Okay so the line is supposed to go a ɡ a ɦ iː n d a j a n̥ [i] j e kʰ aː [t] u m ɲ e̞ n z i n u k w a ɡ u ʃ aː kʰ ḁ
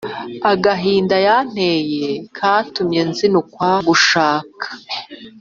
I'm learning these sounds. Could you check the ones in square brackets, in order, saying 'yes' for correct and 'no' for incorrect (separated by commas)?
no, yes